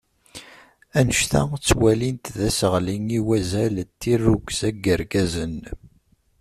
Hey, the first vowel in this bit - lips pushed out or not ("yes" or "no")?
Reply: no